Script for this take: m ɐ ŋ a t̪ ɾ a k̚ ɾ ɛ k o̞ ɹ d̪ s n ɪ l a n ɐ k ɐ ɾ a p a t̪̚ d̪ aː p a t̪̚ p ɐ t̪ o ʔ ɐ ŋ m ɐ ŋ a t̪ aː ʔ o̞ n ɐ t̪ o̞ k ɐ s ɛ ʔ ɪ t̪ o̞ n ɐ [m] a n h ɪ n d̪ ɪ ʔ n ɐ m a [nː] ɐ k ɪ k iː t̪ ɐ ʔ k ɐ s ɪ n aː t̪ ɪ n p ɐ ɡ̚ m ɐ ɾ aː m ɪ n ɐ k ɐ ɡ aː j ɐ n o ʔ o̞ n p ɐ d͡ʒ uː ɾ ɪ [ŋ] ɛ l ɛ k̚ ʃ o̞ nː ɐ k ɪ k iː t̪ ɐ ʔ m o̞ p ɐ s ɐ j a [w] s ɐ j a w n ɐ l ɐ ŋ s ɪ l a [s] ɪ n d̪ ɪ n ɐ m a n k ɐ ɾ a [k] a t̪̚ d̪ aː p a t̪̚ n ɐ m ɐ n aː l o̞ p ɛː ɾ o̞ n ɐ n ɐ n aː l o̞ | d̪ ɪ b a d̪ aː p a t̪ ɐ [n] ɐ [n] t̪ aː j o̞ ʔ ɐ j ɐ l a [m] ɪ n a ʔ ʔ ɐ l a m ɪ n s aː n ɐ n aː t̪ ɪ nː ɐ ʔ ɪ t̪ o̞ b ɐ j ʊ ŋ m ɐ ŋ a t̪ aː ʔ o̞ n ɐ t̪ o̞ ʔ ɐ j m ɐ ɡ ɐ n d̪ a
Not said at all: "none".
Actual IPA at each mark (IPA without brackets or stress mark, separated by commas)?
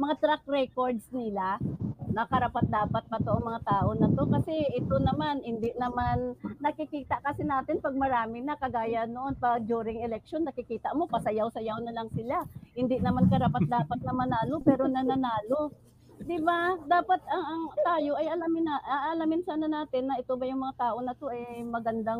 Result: m, nː, ŋ, w, h, p, ŋ, ŋ, m